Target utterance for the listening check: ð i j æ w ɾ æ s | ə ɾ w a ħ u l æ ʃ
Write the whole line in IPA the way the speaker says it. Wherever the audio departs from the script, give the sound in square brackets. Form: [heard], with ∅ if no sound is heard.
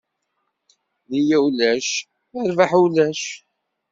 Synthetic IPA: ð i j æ w [l] æ [ʃ] | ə ɾ [v] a ħ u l æ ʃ